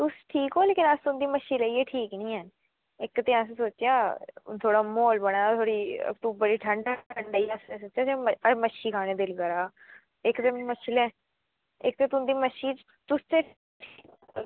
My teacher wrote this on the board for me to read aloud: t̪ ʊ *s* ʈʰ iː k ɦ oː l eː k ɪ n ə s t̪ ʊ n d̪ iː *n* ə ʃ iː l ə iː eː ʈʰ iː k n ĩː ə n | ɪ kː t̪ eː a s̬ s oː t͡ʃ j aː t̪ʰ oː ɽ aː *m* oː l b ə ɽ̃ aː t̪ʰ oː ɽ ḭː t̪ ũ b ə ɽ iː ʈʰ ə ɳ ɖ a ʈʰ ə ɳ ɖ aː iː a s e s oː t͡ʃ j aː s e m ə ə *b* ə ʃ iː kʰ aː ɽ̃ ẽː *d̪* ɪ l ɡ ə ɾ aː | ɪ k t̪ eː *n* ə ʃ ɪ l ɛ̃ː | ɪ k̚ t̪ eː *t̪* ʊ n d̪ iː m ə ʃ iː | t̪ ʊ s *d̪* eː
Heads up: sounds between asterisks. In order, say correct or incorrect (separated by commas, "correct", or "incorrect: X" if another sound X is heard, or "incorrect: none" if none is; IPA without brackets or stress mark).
correct, incorrect: m, correct, incorrect: m, correct, incorrect: m, correct, incorrect: t̪